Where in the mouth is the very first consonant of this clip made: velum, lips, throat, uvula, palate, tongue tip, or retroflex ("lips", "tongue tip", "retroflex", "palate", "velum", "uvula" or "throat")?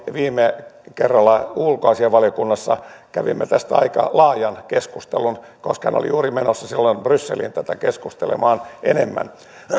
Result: lips